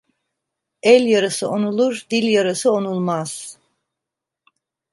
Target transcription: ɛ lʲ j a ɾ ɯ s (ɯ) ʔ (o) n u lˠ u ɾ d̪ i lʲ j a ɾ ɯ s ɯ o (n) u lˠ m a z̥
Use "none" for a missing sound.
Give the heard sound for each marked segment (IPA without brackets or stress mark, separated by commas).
ɯ, o, n